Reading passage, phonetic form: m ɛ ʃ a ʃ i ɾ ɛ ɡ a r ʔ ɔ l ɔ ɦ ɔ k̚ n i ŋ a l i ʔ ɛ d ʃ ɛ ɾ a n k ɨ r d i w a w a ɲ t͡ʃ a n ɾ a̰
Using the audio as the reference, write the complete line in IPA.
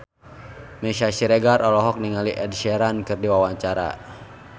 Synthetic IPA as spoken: m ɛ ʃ a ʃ i ɾ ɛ ɡ a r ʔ ɔ l ɔ ɦ ɔ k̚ n i ŋ a l i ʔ ɛ d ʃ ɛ ɾ a n k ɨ r d i w a w a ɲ t͡ʃ a ɾ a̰